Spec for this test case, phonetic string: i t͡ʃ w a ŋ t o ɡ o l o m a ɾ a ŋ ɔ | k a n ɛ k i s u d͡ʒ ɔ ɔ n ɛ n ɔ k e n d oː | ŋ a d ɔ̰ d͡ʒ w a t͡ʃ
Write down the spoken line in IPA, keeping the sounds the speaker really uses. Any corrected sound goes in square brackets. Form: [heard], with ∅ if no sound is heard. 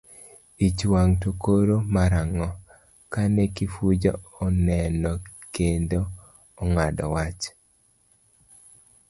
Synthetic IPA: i t͡ʃ w a ŋ t o [k] o [ɾ] o m a ɾ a ŋ ɔ | k a n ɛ k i [f] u d͡ʒ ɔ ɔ n ɛ n ɔ k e n d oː | ŋ a d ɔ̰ [∅] w a t͡ʃ